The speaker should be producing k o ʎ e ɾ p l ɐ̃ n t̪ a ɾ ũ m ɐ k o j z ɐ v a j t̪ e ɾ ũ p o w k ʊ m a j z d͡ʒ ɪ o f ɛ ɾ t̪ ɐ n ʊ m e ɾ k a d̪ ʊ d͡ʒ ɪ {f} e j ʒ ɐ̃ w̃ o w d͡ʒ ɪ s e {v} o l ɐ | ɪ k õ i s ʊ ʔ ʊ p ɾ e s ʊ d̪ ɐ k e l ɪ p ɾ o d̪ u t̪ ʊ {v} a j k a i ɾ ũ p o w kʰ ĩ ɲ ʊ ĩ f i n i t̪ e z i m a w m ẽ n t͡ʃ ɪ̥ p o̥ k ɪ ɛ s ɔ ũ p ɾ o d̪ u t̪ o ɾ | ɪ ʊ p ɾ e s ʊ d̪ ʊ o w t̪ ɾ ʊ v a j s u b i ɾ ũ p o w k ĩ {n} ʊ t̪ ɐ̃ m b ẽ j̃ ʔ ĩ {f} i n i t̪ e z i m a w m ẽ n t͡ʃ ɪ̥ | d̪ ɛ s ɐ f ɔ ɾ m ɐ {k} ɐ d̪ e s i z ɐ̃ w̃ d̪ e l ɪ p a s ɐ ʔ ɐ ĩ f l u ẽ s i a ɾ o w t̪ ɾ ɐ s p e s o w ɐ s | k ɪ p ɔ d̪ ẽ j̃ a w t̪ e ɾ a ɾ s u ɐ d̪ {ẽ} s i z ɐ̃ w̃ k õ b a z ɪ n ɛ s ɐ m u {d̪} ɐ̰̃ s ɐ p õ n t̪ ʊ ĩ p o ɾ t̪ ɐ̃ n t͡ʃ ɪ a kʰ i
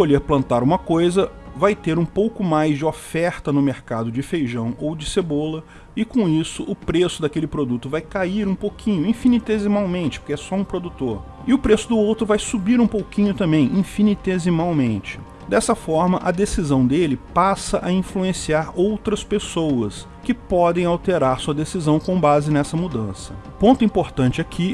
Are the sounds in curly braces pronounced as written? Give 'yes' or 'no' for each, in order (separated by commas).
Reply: yes, no, yes, no, yes, no, no, yes